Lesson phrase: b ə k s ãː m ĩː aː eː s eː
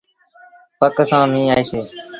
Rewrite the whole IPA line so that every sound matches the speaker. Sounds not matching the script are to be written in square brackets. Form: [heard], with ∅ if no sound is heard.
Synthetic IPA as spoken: [p] ə k s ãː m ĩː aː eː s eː